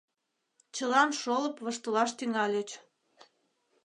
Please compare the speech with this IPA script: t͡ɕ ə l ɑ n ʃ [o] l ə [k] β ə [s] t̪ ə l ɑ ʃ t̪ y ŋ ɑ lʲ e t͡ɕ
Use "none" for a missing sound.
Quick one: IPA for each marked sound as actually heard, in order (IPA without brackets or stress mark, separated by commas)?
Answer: o, p, ʃ